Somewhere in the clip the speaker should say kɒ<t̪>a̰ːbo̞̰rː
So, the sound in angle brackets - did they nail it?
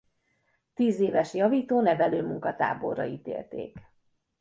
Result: yes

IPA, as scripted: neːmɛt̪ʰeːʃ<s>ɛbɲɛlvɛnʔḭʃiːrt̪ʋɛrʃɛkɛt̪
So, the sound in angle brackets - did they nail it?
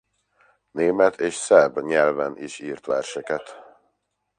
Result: yes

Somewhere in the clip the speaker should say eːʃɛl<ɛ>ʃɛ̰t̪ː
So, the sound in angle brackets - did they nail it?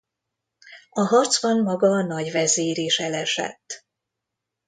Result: yes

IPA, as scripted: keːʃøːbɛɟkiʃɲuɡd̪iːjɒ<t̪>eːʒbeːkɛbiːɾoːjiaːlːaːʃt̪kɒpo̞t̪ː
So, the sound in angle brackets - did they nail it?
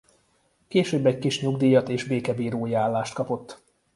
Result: yes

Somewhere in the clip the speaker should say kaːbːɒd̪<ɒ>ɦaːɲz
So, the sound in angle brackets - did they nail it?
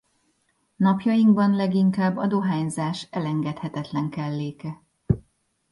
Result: no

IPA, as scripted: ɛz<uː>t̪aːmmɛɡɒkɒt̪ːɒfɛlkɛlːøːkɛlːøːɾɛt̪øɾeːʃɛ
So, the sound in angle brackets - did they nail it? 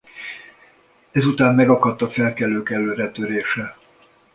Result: no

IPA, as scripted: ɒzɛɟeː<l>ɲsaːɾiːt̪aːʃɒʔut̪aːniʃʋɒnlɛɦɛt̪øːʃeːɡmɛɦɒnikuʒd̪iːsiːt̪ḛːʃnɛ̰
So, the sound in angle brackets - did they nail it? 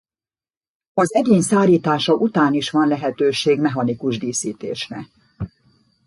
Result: no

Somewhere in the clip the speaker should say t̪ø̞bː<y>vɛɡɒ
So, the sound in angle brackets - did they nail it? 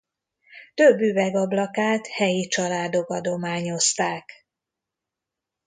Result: yes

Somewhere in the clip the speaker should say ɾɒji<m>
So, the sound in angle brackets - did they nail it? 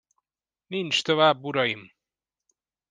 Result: yes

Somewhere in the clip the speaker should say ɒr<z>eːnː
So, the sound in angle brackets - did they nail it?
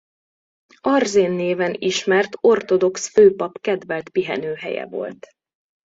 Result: yes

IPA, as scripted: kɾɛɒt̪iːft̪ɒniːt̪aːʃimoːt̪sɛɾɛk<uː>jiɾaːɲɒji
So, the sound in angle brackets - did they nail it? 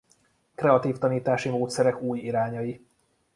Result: yes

